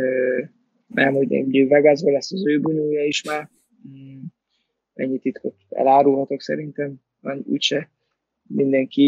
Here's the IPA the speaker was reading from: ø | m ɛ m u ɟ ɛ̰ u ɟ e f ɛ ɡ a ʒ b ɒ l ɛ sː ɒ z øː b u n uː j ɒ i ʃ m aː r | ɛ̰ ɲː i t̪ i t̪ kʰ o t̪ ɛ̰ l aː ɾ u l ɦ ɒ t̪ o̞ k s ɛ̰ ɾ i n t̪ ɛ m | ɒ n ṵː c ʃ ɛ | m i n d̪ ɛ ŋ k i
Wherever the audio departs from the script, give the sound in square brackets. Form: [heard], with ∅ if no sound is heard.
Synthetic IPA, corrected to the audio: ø | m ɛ m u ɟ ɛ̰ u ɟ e [v] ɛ ɡ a [z] b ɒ l ɛ sː ɒ z øː b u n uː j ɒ i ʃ m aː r | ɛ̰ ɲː i t̪ i t̪ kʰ o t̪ ɛ̰ l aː ɾ u l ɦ ɒ t̪ o̞ k s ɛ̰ ɾ i n t̪ ɛ m | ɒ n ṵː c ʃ ɛ | m i n d̪ ɛ ŋ k i